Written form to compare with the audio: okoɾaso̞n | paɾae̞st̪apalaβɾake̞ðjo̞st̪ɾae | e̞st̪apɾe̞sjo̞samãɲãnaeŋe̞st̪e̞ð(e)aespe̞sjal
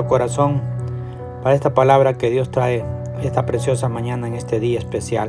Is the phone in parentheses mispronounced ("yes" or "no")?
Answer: yes